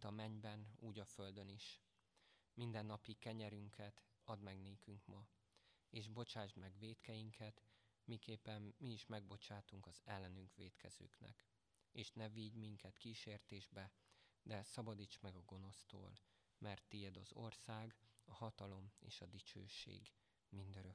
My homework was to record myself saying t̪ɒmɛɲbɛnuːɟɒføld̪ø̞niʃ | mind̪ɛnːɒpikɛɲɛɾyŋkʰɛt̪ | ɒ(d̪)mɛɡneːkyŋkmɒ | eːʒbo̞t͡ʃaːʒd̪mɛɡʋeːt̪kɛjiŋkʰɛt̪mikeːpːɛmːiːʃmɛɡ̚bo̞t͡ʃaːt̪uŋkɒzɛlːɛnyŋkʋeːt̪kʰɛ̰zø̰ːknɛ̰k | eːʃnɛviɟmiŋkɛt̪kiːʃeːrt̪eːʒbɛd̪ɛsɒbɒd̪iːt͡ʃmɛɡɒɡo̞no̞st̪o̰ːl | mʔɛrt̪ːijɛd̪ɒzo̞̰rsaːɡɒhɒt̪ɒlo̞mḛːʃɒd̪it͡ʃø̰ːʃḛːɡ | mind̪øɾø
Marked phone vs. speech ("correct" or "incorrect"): correct